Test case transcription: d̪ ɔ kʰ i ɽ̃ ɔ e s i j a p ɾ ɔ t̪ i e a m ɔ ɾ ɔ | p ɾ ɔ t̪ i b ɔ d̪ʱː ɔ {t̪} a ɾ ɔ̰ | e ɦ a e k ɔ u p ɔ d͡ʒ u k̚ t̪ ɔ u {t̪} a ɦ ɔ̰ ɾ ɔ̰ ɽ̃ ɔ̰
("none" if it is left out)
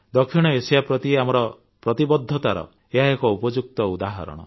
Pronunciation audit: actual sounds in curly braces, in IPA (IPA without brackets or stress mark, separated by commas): t̪, d̪